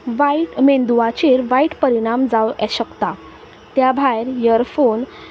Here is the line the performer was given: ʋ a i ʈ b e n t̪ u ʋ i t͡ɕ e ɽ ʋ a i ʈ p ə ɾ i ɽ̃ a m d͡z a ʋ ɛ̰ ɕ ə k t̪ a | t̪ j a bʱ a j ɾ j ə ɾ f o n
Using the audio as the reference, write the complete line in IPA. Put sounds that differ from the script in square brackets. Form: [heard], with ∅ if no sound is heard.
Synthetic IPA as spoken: ʋ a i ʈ [m] e n [d̪] u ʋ [a] t͡ɕ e [ɾ] ʋ a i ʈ p ə ɾ i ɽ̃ a m d͡z a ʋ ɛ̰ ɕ ə k t̪ a | t̪ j a bʱ a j ɾ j ə ɾ f o n